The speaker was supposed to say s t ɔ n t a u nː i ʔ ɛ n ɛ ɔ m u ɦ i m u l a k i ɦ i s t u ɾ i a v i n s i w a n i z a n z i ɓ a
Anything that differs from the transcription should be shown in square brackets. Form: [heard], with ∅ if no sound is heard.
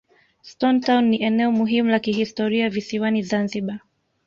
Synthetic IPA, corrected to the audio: s t ɔ n t a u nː i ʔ ɛ n ɛ ɔ m u ɦ i m u l a k i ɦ i s t [ɔ] ɾ i a v i [∅] s i w a n i z a n z i ɓ a